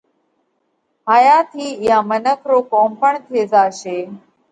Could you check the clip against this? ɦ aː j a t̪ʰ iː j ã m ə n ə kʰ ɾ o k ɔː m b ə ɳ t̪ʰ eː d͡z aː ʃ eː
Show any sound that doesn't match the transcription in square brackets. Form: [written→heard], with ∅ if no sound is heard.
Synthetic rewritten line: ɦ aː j a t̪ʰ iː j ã m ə n ə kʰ ɾ o k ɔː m [b→p] ə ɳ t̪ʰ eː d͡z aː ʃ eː